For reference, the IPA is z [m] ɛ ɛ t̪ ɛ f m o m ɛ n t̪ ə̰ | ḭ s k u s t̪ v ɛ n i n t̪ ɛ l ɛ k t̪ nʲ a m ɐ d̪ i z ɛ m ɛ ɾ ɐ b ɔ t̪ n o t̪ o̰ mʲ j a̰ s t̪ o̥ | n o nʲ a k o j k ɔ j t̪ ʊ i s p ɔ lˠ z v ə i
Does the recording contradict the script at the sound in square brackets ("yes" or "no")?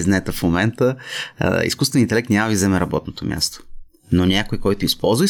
yes